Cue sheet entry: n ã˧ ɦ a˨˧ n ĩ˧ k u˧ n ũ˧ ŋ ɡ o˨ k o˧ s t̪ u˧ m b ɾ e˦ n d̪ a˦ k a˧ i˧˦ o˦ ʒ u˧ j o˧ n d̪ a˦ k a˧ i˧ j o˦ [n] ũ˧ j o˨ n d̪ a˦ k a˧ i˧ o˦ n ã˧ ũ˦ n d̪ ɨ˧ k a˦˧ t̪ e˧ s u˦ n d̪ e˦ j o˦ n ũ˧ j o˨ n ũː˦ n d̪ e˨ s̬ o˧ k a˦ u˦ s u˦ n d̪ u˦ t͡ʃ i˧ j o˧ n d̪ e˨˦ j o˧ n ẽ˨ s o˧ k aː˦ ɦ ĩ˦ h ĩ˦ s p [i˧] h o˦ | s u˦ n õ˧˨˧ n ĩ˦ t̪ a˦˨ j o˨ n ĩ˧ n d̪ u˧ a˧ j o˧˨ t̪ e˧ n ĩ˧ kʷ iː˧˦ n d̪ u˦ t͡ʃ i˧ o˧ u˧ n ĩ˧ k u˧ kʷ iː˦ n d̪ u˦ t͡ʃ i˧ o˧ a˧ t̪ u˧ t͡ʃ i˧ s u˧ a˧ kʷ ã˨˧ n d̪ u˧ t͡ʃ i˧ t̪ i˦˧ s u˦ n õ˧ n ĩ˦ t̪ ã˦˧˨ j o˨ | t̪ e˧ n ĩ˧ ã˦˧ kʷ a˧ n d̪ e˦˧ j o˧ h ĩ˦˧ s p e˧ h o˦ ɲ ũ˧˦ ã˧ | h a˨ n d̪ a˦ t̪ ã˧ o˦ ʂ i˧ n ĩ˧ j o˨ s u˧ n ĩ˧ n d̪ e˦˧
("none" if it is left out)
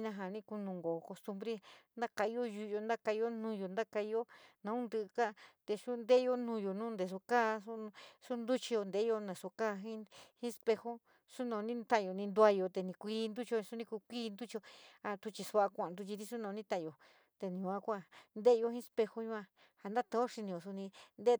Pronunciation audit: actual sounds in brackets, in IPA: n, e˧

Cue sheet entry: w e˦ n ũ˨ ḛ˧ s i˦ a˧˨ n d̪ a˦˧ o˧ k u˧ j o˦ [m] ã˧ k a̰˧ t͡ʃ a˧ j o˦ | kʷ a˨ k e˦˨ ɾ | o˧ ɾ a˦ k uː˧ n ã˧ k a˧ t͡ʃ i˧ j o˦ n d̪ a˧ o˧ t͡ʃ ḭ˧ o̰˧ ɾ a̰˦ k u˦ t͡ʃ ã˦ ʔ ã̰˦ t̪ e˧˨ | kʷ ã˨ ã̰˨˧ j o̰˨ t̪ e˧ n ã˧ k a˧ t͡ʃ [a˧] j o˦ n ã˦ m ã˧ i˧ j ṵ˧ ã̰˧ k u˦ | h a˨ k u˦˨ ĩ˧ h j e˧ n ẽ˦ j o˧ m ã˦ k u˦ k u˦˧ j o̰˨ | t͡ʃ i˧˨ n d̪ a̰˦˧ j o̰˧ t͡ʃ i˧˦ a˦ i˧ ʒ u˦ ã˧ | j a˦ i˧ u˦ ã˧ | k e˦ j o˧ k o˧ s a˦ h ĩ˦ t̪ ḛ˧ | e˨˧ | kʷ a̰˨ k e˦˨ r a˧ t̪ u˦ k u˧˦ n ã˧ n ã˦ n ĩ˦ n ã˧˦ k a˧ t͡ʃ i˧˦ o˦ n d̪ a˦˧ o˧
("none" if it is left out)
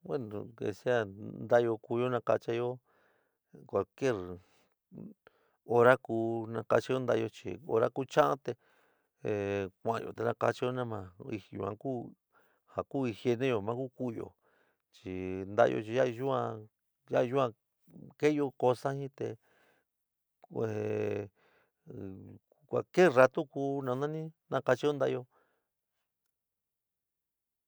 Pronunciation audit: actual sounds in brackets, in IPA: n, i˧

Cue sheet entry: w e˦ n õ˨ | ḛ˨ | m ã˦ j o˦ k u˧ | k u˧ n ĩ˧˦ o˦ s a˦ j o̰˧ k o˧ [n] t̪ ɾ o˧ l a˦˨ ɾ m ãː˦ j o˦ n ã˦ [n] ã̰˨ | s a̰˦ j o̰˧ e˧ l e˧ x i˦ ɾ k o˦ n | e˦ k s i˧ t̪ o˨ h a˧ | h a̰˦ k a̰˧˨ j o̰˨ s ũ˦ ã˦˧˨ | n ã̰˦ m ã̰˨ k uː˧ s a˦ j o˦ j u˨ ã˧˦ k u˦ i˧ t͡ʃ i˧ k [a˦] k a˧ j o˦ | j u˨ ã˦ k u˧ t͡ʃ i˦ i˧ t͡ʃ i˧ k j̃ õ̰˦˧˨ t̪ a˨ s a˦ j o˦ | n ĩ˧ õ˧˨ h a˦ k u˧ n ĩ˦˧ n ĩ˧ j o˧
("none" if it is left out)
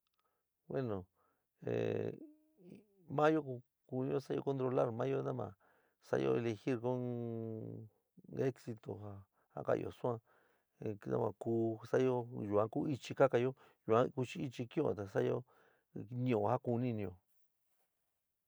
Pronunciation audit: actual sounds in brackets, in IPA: n, m, a˦

